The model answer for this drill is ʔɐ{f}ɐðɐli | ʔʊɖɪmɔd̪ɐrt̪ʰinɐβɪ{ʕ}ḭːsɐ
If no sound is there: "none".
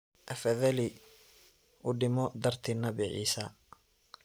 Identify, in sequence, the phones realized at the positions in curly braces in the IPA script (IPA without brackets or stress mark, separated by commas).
f, ʕ